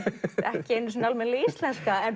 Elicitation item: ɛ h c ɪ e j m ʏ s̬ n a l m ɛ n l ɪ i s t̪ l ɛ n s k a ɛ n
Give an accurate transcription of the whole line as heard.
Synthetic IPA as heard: ɛ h c ɪ e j n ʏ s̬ n a l m ɛ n l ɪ i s t̪ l ɛ n s k a ɛ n